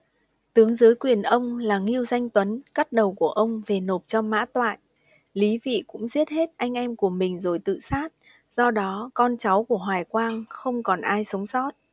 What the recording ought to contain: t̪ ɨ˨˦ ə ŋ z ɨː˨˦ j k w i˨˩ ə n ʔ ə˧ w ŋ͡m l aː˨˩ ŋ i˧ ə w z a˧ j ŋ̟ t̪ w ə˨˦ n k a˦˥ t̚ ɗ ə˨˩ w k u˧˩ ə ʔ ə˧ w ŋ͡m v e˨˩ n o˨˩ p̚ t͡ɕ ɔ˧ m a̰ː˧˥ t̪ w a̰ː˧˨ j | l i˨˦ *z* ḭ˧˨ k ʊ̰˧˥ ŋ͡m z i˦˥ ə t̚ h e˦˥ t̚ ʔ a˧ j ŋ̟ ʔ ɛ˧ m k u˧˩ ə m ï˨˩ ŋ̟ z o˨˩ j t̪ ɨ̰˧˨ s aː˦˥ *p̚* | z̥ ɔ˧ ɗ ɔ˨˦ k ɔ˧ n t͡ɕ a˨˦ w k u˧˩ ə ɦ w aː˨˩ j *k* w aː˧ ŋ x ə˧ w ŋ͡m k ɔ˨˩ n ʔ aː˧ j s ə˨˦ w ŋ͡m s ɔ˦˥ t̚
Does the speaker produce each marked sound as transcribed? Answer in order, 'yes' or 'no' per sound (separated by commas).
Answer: no, no, yes